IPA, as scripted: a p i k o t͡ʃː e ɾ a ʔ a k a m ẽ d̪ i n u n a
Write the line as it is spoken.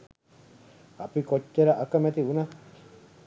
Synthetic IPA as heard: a p i k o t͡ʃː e ɾ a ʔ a k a m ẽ t̪ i u n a